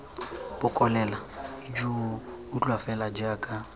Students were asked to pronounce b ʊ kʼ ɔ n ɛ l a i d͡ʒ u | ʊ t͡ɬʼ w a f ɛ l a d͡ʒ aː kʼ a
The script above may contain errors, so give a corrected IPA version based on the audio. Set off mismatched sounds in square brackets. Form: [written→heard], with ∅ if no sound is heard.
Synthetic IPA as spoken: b ʊ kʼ ɔ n ɛ l a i d͡ʒ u | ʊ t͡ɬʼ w a f ɛ l a d͡ʒ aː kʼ a